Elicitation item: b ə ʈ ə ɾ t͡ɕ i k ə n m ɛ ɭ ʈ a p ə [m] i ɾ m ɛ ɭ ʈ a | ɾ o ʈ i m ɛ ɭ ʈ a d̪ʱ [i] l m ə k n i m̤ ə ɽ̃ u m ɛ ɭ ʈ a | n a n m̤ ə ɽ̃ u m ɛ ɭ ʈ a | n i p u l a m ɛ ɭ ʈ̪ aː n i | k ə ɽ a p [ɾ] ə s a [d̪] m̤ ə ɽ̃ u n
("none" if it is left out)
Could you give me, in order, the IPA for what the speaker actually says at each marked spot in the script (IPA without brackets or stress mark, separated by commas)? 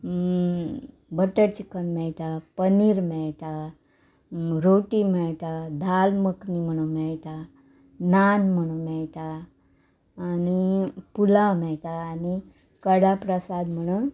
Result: n, a, ɾ, d̪